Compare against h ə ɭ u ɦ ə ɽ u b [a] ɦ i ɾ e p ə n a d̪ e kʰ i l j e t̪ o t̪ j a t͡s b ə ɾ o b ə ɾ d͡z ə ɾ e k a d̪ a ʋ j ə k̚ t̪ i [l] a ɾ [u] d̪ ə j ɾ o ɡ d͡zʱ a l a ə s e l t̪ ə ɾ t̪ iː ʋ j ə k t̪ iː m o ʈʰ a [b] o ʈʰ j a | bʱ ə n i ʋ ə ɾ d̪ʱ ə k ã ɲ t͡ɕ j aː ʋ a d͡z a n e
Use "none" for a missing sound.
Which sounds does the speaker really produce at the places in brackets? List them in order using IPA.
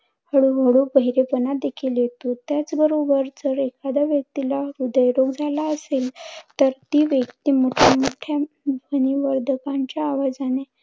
ə, l, u, m

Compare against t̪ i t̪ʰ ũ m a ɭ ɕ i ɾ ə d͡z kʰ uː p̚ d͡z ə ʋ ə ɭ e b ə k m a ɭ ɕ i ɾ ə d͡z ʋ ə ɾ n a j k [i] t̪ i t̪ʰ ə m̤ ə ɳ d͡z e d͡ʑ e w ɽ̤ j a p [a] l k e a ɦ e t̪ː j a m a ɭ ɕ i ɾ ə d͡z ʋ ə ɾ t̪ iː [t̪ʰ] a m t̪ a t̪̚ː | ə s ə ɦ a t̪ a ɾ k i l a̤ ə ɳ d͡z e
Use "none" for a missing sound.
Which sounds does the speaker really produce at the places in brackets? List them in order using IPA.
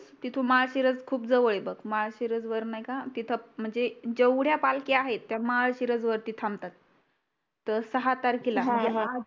a, a, t̪ʰ

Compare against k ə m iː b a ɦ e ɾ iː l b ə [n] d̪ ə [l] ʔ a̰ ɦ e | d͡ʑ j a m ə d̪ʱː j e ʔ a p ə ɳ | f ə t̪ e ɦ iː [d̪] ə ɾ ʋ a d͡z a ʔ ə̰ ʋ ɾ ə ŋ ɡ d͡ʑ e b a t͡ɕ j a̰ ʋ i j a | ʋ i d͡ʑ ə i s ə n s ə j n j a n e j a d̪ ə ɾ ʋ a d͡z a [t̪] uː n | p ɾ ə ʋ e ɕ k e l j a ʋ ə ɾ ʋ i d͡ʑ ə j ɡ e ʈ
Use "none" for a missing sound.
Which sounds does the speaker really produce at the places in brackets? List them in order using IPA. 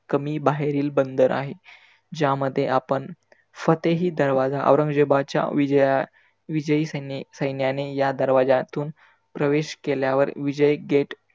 n, ɾ, d̪, t̪

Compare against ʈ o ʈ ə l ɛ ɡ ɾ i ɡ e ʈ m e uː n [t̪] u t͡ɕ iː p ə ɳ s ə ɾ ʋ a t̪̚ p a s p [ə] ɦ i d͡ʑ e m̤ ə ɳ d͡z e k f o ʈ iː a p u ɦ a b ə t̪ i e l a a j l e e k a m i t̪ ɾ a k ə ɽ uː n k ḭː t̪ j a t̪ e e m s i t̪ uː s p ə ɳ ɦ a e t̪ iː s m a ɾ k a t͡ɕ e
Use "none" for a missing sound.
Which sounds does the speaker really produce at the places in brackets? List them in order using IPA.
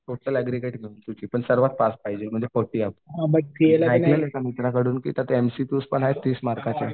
t̪, a

